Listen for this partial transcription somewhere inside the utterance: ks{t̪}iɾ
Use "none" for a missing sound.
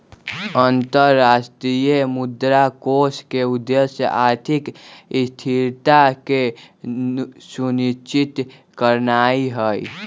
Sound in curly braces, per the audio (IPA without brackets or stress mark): t̪ʰ